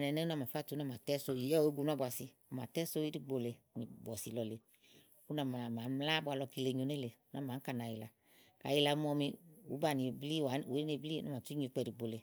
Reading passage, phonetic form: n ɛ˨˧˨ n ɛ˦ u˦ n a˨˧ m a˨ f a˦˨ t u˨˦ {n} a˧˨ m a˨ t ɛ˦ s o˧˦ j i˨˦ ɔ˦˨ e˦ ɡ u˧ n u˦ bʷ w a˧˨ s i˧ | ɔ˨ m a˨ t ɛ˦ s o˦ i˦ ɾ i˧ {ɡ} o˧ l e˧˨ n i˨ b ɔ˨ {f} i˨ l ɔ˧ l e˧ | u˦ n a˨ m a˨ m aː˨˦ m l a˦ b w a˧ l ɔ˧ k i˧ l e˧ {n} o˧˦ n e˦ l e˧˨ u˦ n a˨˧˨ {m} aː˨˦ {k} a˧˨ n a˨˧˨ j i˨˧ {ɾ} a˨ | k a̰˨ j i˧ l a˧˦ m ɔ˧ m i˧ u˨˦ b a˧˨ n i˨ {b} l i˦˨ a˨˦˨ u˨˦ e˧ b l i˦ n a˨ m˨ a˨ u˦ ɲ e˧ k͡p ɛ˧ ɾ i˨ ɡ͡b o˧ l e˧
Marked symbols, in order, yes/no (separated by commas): yes, no, no, no, yes, yes, no, yes